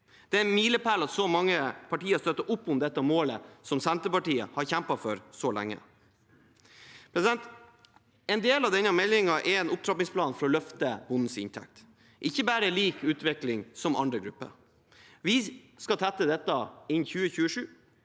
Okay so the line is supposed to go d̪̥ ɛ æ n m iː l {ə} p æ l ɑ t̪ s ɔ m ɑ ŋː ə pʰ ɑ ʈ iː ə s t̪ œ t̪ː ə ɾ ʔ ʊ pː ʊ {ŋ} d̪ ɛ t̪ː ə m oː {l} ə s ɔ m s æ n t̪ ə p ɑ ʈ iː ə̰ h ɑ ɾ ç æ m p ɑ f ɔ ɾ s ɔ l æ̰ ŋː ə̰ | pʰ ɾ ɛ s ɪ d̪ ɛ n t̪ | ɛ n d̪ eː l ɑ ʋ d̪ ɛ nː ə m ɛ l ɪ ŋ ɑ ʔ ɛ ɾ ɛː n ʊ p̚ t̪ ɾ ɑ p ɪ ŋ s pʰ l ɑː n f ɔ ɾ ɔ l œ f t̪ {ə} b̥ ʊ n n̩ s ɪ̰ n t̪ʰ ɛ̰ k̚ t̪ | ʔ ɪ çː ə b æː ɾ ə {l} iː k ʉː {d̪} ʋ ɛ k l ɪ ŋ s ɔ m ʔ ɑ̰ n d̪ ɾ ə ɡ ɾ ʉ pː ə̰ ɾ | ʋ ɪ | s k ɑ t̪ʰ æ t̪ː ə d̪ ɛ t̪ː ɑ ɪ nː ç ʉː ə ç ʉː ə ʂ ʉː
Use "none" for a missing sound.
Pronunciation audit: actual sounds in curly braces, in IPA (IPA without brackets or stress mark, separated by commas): ə, m, l, ə, l, t̪